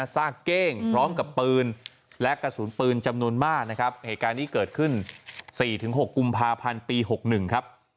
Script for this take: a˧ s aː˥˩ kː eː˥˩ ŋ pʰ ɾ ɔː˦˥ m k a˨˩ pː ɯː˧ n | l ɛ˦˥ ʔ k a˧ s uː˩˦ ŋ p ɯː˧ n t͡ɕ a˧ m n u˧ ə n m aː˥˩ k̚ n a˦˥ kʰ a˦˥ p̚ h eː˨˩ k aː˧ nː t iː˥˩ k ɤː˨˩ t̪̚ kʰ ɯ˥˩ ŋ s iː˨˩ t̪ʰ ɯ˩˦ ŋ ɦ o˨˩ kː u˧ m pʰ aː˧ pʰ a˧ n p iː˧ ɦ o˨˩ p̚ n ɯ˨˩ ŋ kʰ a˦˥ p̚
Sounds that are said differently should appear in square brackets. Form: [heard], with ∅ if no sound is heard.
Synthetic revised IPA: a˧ s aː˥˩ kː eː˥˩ ŋ pʰ ɾ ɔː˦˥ m k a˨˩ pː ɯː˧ n | l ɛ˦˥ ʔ k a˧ s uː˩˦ [n] p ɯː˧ n t͡ɕ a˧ m n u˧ ə n m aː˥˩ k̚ n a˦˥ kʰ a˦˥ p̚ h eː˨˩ k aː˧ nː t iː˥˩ k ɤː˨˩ t̪̚ kʰ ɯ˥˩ [n] s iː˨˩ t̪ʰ ɯ˩˦ ŋ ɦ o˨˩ kː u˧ m pʰ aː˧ pʰ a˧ n p iː˧ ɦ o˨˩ [k̚] n ɯ˨˩ ŋ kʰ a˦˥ p̚

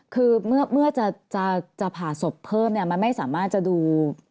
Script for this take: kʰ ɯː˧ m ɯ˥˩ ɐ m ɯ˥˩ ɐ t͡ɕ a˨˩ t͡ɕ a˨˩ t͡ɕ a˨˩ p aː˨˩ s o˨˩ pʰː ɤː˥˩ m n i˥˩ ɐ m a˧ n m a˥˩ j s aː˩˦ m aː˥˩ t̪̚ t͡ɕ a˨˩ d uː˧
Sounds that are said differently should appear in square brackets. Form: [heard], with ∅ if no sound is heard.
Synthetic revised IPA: kʰ ɯː˧ m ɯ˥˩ ɐ m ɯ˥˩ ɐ t͡ɕ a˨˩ t͡ɕ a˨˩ t͡ɕ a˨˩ [pʰ] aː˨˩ s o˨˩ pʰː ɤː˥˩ m n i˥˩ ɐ m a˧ n m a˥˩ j s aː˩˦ m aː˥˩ t̪̚ t͡ɕ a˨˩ d uː˧

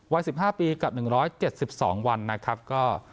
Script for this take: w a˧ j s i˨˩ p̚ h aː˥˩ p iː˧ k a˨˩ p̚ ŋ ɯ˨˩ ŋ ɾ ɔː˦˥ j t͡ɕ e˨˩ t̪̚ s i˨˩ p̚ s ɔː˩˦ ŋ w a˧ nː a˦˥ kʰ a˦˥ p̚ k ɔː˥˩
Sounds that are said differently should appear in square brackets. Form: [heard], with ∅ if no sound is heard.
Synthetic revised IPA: w [a˦˥] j s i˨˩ p̚ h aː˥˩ p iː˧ k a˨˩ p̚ [n] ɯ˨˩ ŋ ɾ ɔː˦˥ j t͡ɕ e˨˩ t̪̚ s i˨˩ p̚ s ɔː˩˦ ŋ w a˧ nː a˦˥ kʰ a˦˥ p̚ k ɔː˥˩

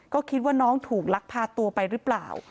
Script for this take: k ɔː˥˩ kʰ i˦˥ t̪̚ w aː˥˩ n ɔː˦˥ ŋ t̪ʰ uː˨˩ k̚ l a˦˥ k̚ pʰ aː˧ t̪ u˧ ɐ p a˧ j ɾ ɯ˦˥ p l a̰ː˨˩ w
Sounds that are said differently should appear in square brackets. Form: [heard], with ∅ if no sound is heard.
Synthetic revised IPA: k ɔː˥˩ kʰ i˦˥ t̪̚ w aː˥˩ n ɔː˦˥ ŋ t̪ʰ uː˨˩ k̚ l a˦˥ k̚ pʰ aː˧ t̪ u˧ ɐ p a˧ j ɾ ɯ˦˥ p l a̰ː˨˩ w

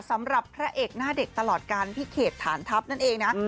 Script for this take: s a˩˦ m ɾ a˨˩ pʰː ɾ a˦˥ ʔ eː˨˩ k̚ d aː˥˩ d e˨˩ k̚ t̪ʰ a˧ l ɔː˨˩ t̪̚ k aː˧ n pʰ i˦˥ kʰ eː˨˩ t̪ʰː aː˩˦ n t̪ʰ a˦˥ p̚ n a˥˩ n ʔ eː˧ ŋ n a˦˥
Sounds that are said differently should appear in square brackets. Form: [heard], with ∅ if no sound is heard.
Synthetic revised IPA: s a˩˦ m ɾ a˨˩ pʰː ɾ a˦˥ ʔ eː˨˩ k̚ [n] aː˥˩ d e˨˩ k̚ [t̪] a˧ l ɔː˨˩ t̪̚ k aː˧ n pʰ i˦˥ kʰ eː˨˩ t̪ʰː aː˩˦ n t̪ʰ a˦˥ p̚ n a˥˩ n ʔ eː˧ ŋ n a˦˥

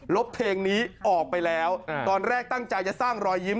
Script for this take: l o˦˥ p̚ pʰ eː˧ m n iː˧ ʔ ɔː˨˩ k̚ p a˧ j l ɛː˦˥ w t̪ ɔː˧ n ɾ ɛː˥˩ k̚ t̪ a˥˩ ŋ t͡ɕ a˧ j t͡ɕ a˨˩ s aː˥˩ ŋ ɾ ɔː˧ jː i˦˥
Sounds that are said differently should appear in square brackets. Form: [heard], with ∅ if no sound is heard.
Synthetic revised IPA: l o˦˥ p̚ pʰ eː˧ [ŋ] n [iː˦˥] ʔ ɔː˨˩ k̚ p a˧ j l ɛː˦˥ w t̪ ɔː˧ n ɾ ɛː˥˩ k̚ t̪ a˥˩ ŋ t͡ɕ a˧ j t͡ɕ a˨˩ s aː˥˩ ŋ ɾ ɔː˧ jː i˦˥

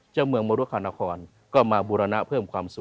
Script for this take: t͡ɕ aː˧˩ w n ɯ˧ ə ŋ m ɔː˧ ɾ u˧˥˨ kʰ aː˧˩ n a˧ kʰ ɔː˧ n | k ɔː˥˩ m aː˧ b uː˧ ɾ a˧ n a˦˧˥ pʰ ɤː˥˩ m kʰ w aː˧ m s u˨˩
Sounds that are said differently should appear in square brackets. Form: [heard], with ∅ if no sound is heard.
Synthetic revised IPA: t͡ɕ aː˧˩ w [m] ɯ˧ ə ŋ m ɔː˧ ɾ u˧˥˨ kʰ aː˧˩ n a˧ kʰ ɔː˧ n | k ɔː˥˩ m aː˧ b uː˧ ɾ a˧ n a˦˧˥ pʰ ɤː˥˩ m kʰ w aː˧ m s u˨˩

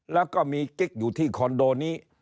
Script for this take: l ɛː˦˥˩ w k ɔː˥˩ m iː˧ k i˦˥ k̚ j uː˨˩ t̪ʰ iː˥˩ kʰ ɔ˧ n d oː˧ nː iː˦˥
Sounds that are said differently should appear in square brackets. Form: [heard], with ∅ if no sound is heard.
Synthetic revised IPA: l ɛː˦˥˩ w k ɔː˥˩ m iː˧ k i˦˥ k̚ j uː˨˩ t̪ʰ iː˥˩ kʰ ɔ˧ n d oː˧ [n] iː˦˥

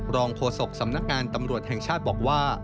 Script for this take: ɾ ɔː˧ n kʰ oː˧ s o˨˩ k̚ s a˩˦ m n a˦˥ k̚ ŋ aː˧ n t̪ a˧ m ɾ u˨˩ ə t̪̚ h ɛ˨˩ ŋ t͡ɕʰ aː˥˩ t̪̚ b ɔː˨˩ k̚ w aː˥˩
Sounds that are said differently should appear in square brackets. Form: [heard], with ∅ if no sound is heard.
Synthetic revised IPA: ɾ ɔː˧ [ŋ] kʰ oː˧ s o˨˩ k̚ s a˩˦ m n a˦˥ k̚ ŋ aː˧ n t̪ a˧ m ɾ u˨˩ ə t̪̚ h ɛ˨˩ ŋ t͡ɕʰ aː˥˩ t̪̚ b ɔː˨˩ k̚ w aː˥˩

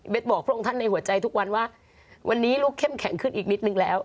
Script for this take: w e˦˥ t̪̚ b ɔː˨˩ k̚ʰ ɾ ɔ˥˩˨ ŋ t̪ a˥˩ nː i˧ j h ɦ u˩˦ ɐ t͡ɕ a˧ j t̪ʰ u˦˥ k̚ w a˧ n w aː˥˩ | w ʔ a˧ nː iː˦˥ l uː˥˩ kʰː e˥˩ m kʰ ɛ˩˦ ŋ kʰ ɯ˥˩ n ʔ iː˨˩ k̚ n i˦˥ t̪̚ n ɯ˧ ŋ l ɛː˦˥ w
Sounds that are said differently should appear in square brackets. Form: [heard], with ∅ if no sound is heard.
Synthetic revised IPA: w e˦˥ t̪̚ b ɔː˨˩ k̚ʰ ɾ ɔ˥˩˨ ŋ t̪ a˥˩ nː [a˧] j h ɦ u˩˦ ɐ t͡ɕ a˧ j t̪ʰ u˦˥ k̚ w a˧ n w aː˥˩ | w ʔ a˧ nː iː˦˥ l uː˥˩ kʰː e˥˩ m kʰ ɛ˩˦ ŋ kʰ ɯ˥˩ n ʔ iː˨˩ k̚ n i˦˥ t̪̚ n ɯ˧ ŋ l ɛː˦˥ w

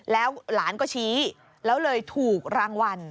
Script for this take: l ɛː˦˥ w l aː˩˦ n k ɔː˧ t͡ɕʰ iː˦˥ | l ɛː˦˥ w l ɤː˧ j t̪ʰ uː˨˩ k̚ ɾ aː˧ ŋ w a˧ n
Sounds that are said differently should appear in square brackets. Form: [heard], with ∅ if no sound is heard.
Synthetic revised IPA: l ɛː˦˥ w l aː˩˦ n k [ɔː˥˩] t͡ɕʰ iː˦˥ | l ɛː˦˥ w l ɤː˧ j t̪ʰ uː˨˩ k̚ ɾ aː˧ ŋ w a˧ n

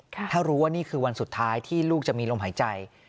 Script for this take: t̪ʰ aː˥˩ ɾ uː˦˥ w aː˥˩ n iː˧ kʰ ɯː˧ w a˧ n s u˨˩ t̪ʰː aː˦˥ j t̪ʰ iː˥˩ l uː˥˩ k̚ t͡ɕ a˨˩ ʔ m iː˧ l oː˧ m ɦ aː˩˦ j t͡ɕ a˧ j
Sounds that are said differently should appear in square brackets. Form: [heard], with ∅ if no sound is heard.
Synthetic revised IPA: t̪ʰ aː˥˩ ɾ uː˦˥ w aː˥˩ n [iː˥˩] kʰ ɯː˧ w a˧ n s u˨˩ t̪ʰː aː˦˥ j t̪ʰ iː˥˩ l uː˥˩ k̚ t͡ɕ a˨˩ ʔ m iː˧ l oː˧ m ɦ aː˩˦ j t͡ɕ a˧ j

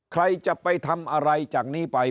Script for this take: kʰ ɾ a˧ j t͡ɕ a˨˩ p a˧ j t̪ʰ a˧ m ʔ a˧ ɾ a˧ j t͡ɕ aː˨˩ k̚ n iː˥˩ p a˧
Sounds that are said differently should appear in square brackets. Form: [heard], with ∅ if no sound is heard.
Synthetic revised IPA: kʰ ɾ a˧ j t͡ɕ a˨˩ p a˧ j t̪ʰ a˧ m ʔ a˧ ɾ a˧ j t͡ɕ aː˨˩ k̚ n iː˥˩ p a˧

